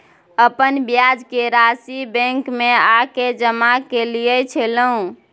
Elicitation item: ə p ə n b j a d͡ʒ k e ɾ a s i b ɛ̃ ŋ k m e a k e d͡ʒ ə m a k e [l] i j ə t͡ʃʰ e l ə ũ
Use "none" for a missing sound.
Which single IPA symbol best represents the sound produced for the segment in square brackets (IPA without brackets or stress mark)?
l